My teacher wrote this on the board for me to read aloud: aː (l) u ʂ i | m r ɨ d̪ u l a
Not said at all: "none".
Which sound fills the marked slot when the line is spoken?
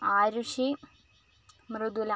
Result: ɾ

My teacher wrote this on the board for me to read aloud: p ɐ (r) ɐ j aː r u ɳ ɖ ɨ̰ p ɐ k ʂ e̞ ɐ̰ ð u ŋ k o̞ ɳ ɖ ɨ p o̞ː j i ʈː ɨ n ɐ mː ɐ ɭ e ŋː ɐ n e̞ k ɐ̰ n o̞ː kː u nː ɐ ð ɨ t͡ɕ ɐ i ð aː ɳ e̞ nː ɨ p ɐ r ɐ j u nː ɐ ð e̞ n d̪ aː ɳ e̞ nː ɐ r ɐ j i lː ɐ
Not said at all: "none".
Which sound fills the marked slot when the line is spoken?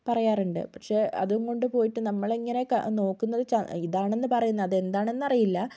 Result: r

